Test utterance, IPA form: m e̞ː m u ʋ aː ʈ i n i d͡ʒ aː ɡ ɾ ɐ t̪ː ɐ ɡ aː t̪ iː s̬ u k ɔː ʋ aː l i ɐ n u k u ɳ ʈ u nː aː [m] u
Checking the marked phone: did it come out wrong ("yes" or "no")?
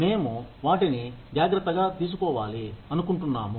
no